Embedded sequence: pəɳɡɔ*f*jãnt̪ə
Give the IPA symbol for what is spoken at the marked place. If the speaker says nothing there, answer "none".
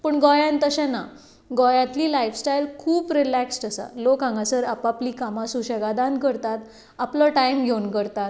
none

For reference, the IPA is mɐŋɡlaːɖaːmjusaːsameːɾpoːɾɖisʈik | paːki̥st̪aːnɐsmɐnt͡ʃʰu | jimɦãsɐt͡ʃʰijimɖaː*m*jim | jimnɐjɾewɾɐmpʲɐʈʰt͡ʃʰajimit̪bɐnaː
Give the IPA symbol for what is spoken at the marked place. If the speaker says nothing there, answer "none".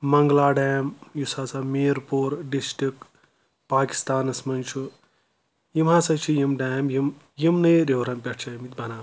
m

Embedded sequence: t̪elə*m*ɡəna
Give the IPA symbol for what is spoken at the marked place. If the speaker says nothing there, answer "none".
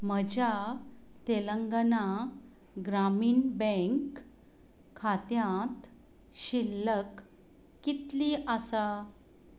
ŋ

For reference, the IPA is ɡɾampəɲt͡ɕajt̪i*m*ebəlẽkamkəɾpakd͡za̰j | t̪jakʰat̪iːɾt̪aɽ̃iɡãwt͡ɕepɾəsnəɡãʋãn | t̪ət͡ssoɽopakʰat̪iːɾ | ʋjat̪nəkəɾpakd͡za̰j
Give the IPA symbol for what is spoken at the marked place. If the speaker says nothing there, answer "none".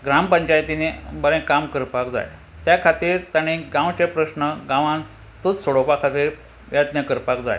n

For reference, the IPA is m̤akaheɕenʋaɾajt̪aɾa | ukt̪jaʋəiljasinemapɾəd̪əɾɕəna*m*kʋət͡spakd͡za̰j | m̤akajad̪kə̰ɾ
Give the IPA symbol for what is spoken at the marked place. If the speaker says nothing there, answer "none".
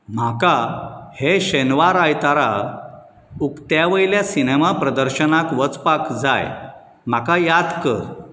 none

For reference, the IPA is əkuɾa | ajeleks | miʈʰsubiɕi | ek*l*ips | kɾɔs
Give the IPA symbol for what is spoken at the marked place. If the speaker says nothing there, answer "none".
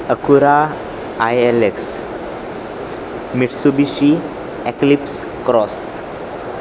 l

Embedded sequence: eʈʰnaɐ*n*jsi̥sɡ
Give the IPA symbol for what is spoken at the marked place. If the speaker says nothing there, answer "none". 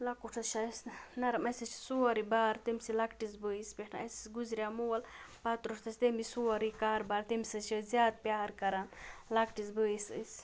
none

